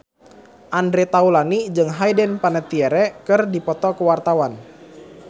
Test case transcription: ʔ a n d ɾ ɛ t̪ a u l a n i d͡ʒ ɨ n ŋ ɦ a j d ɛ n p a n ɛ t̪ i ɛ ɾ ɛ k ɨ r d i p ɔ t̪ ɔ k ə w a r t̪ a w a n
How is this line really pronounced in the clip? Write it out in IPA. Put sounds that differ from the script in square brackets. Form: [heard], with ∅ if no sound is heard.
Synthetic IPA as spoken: ʔ a n d ɾ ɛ t̪ a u l a n i d͡ʒ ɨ [∅] ŋ ɦ a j d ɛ n p a n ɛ t̪ i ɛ ɾ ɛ k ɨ r d i p ɔ t̪ ɔ k ə w a r t̪ a w a n